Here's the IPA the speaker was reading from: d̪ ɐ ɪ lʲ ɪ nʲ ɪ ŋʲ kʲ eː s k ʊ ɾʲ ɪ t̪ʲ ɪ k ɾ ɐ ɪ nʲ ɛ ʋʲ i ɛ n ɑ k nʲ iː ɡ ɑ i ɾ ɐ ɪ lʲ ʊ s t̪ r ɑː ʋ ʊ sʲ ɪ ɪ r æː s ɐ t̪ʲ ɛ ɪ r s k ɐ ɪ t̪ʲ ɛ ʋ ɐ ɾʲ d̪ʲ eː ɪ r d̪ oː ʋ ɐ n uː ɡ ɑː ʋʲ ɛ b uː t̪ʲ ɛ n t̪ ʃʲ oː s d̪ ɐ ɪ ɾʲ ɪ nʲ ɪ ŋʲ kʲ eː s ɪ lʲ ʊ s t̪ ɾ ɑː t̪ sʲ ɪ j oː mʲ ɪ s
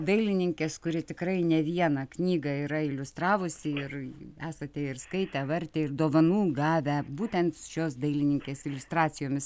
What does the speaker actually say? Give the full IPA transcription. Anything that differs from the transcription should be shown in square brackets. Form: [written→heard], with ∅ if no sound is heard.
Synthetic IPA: d̪ ɐ ɪ lʲ ɪ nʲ ɪ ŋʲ kʲ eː s k ʊ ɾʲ ɪ t̪ʲ ɪ k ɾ ɐ ɪ nʲ ɛ ʋʲ i ɛ n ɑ k nʲ iː ɡ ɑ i ɾ ɐ ɪ lʲ ʊ s t̪ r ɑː ʋ ʊ sʲ ɪ ɪ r æː s ɐ t̪ʲ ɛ ɪ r s k ɐ ɪ t̪ʲ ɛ ʋ ɐ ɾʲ [d̪ʲ→t̪ʲ] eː ɪ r d̪ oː ʋ ɐ n uː ɡ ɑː ʋʲ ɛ b uː t̪ʲ ɛ n t̪ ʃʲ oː s d̪ ɐ ɪ [ɾʲ→lʲ] ɪ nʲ ɪ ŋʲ kʲ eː s ɪ lʲ ʊ s t̪ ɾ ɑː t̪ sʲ ɪ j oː mʲ ɪ s